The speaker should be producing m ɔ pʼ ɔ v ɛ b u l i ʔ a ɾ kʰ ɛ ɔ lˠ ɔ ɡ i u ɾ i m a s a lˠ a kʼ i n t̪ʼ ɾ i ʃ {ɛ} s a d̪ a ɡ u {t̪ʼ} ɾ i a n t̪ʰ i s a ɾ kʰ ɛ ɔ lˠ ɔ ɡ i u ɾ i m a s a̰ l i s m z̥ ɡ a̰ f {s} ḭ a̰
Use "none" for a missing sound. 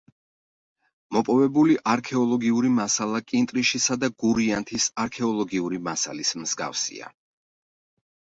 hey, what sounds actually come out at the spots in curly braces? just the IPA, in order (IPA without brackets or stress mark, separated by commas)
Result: i, none, s